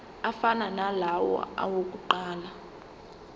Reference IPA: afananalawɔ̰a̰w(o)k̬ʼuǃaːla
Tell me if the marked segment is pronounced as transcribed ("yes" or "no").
yes